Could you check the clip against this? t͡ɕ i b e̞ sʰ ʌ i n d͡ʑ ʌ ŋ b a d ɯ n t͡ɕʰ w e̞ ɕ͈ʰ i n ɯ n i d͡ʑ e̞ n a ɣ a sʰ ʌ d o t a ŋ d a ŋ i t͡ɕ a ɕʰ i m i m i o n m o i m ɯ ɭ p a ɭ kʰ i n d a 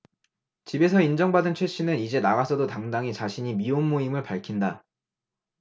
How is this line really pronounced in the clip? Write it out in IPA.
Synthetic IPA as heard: t͡ɕ i b e̞ sʰ ʌ i n d͡ʑ ʌ ŋ b a d ɯ n t͡ɕʰ w e̞ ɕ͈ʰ i n ɯ n i d͡ʑ e̞ n a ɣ a sʰ ʌ d o t a ŋ d a ŋ i t͡ɕ a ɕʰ i ɲ i m i o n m o i m ɯ ɭ p a ɭ kʰ i n d a

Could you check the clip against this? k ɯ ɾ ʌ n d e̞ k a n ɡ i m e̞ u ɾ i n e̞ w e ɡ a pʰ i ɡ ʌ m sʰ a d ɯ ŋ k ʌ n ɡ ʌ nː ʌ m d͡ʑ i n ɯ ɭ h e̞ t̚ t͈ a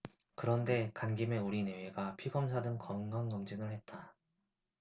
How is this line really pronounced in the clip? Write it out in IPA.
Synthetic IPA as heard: k ɯ ɾ ʌ n d e̞ k a n ɡ i m e̞ u ɾ i n e̞ w e ɡ a pʰ i ɡ ʌ m sʰ a d ɯ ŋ k ʌ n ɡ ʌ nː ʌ m d͡ʑ i n ɯ ɭ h e̞ t̚ t͈ a

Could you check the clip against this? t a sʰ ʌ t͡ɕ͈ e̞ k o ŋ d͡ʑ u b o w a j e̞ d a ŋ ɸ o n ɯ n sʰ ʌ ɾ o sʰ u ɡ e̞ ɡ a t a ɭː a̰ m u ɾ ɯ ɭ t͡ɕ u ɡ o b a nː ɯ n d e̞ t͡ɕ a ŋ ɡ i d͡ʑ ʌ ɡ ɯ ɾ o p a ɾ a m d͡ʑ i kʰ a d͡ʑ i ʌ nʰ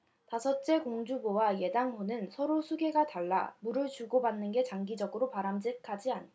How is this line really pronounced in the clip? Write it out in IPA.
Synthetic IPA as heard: t a sʰ ʌ t͡ɕ͈ e̞ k o ŋ d͡ʑ u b o w a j e̞ d a ŋ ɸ o n ɯ n sʰ ʌ ɾ o sʰ u ɡ e̞ ɡ a t a ɭː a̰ m u ɾ ɯ ɭ t͡ɕ u ɡ o b a nː ɯ n ɡ e̞ t͡ɕ a ŋ ɡ i d͡ʑ ʌ ɡ ɯ ɾ o p a ɾ a m d͡ʑ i kʰ a d͡ʑ i a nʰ

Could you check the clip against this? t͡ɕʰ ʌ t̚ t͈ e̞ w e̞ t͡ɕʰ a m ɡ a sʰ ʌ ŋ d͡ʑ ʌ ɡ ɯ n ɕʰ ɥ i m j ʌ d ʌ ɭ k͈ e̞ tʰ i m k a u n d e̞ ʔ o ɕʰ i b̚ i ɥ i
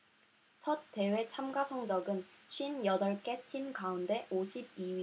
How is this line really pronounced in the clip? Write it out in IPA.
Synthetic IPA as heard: t͡ɕʰ ʌ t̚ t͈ e̞ w e̞ t͡ɕʰ a m ɡ a sʰ ʌ ŋ d͡ʑ ʌ ɡ ɯ n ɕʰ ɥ i n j ʌ d ʌ ɭ k͈ e̞ tʰ i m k a u n d e̞ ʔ o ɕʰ i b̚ i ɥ i

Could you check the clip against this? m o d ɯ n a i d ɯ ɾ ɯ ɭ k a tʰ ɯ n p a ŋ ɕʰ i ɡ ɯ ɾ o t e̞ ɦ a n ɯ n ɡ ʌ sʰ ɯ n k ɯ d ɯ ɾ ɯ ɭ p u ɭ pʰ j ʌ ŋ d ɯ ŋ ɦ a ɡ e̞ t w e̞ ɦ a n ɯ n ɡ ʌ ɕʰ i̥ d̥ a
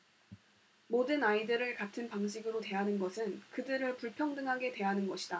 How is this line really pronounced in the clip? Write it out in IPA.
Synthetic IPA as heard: m o d ɯ n a i d ɯ ɾ ɯ ɭ k a tʰ ɯ n p a ŋ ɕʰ i ɡ ɯ ɾ o t e̞ ɦ a n ɯ n ɡ ʌ sʰ ɯ n k ɯ d ɯ ɾ ɯ ɭ p u ɭ pʰ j ʌ ŋ d ɯ ŋ ɦ a ɡ e̞ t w e̞ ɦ a n ɯ n ɡ ʌ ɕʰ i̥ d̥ a

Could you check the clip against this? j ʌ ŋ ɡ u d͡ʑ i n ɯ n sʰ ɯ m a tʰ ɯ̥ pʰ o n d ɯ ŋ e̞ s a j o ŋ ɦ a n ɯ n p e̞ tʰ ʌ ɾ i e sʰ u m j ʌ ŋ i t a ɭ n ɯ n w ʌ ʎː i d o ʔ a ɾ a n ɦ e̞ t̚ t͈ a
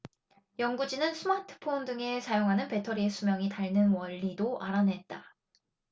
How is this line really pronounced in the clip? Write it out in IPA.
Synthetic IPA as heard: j ʌ ŋ ɡ u d͡ʑ i n ɯ n sʰ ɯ m a tʰ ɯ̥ pʰ o n d ɯ ŋ e̞ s a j o ŋ ɦ a n ɯ n p e̞ tʰ ʌ ɾ i e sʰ u m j ʌ ŋ i t a ɭ n ɯ n w ʌ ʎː i d o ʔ a ɾ a n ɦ e̞ t̚ t͈ a

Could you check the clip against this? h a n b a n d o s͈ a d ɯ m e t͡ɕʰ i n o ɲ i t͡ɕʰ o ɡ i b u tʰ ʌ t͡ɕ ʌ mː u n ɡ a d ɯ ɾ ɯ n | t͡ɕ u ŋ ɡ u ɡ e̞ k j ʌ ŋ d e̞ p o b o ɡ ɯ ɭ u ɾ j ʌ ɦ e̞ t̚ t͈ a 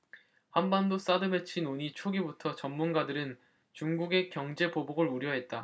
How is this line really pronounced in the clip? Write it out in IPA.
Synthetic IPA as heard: h a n b a n d o s͈ a d ɯ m e t͡ɕʰ i n o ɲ i t͡ɕʰ o ɡ i b u tʰ ʌ t͡ɕ ʌ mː u n ɡ a d ɯ ɾ ɯ n | t͡ɕ u ŋ ɡ u ɡ e̞ k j ʌ ŋ d͡ʑ e̞ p o b o ɡ ɯ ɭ u ɾ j ʌ ɦ e̞ t̚ t͈ a

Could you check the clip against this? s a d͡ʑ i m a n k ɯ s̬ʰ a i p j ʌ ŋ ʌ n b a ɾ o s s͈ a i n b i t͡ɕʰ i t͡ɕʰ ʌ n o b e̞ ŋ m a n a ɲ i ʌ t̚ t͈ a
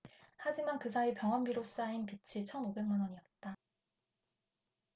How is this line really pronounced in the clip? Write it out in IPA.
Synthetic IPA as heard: h a d͡ʑ i m a n k ɯ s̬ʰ a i p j ʌ ŋ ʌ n b i ɾ o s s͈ a i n p i t͡ɕʰ i t͡ɕʰ ʌ n o b e̞ ŋ m a n ʌ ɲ i ʌ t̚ t͈ a

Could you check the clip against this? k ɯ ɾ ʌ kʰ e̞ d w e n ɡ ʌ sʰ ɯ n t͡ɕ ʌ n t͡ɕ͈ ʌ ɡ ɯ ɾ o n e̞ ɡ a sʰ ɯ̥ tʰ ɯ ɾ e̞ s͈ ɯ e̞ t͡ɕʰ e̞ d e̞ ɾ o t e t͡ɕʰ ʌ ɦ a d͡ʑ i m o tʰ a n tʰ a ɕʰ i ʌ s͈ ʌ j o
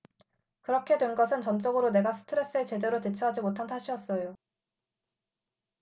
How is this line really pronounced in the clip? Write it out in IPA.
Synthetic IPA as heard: k ɯ ɾ ʌ kʰ e̞ d w e n ɡ ʌ sʰ ɯ n t͡ɕ ʌ n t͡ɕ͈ ʌ ɡ ɯ ɾ o n e̞ ɡ a sʰ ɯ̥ tʰ ɯ ɾ e̞ s͈ ɯ e̞ t͡ɕ e̞ d e̞ ɾ o t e t͡ɕʰ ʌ ɦ a d͡ʑ i m o tʰ a n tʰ a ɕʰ i ʌ s͈ ʌ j o

